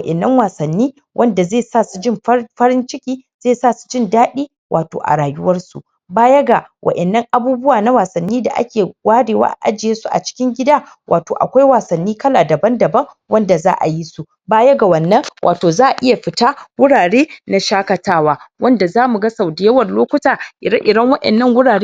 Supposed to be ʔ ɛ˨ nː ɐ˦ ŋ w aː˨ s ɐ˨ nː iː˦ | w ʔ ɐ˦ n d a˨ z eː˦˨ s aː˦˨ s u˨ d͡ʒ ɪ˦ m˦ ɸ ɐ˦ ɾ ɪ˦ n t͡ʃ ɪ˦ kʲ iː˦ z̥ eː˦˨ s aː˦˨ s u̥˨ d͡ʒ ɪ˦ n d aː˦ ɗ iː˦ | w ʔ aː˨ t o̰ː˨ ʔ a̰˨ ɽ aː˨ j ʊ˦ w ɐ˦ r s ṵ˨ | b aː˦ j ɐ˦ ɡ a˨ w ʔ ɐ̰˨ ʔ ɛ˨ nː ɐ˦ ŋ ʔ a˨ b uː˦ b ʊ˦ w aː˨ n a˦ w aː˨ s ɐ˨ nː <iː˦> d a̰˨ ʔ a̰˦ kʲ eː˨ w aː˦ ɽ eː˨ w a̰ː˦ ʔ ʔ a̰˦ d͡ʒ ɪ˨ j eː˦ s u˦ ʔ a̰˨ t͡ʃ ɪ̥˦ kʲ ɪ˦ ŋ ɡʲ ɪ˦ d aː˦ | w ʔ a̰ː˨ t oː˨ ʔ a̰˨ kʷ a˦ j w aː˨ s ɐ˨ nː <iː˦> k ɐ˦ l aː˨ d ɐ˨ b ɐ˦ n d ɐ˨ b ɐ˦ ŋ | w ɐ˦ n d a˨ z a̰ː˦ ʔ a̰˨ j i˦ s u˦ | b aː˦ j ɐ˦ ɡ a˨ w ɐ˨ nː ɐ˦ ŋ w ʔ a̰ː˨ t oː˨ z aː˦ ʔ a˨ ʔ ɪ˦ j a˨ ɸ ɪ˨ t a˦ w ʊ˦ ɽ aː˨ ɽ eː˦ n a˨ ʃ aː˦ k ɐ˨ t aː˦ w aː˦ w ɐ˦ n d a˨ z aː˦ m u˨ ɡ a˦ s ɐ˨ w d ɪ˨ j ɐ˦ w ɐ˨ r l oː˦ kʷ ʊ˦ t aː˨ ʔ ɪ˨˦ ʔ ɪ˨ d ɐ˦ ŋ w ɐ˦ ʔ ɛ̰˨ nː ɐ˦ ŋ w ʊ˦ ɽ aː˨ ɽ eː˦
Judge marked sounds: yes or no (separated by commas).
yes, yes